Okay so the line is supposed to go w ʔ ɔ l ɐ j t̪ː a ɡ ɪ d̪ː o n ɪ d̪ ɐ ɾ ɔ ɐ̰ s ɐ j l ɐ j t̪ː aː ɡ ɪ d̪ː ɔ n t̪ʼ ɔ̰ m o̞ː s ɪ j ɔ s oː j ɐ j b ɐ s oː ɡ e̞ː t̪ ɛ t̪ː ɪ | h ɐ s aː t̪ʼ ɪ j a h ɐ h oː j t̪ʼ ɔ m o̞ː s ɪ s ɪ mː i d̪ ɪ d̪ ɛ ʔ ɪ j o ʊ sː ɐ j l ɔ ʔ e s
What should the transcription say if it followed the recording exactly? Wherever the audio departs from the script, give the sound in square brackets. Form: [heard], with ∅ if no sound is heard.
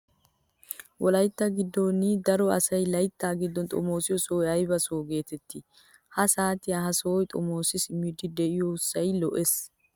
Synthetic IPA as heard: w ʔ ɔ l ɐ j t̪ː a ɡ ɪ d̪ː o n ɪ d̪ ɐ ɾ ɔ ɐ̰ s ɐ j l ɐ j t̪ː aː ɡ ɪ d̪ː ɔ n t̪ʼ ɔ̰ m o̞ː s ɪ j ɔ s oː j ɐ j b ɐ s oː ɡ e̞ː t̪ ɛ t̪ː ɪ | h ɐ s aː [t̪] ɪ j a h ɐ [s] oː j t̪ʼ ɔ m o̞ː s ɪ s ɪ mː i d̪ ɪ d̪ ɛ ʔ ɪ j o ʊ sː ɐ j l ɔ ʔ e s